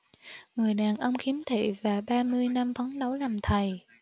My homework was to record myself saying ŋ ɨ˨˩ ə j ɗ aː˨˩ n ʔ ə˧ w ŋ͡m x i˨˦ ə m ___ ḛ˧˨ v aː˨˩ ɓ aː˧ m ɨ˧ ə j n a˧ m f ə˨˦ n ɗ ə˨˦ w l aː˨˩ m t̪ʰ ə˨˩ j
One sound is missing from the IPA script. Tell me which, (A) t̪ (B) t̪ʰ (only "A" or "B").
B